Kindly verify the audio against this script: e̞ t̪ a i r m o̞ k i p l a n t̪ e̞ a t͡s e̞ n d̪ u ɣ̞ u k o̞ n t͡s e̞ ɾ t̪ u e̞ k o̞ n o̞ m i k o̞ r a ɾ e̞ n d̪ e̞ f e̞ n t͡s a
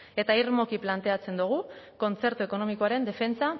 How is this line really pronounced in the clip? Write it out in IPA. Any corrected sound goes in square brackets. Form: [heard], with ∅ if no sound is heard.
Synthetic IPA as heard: e̞ t̪ a i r m o̞ k i p l a n t̪ e̞ a t͡s e̞ n d̪ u ɣ̞ u k o̞ n t͡s e̞ ɾ t̪ u e̞ k o̞ n o̞ m i k o̞ [∅] a ɾ e̞ n d̪ e̞ f e̞ n t͡s a